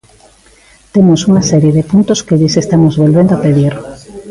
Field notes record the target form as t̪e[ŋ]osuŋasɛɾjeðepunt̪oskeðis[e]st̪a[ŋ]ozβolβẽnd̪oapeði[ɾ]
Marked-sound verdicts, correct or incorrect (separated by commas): incorrect, correct, incorrect, correct